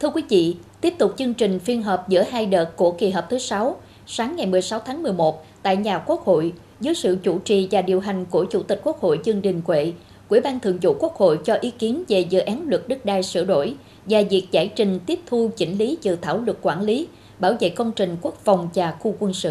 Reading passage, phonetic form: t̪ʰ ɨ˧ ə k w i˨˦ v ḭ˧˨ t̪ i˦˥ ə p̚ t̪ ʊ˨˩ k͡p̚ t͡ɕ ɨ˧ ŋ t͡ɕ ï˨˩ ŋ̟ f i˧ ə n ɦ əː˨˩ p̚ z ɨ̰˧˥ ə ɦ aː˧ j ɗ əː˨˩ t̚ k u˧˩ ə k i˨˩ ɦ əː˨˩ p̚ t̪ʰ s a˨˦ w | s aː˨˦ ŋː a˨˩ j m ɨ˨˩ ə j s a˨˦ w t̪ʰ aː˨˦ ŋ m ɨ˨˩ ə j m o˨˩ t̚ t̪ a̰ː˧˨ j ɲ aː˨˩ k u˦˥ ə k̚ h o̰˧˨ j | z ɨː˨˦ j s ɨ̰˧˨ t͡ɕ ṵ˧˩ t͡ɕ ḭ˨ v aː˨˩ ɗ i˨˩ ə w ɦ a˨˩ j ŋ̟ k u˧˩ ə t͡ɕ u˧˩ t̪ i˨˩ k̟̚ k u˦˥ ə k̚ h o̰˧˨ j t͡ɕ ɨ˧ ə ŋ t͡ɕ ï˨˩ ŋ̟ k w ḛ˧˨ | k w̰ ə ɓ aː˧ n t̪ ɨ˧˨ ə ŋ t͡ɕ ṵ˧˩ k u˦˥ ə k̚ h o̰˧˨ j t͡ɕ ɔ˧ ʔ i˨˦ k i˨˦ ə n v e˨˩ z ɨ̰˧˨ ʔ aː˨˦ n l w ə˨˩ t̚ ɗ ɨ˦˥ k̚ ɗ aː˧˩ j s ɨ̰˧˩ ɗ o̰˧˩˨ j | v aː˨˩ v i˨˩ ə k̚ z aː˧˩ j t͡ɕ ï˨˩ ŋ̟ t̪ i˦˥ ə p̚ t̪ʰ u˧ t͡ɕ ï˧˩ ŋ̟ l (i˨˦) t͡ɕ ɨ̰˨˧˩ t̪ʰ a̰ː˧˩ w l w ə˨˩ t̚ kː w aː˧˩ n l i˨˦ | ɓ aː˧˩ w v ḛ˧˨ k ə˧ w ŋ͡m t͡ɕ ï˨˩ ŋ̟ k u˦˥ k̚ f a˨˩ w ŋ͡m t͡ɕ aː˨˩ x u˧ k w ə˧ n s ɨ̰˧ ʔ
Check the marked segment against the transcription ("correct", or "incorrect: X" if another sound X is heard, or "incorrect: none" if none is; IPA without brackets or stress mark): correct